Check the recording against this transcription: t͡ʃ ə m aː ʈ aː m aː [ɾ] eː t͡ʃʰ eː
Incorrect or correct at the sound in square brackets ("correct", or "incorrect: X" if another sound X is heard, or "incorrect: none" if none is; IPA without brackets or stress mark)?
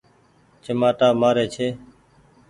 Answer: correct